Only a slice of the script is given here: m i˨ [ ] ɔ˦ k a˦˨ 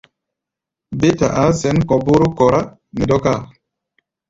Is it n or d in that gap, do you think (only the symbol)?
d